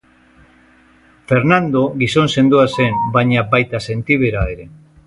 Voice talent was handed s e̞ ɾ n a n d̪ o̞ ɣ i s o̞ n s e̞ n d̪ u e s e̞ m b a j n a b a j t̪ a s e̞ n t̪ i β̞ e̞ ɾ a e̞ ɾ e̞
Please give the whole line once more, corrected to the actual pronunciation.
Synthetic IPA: f e̞ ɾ n a n d̪ o̞ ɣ i s o̞ n s e̞ n d̪ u a s e̞ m b a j ɲ a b a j t̪ a s e̞ n t̪ i β̞ e̞ ɾ a e̞ ɾ e̞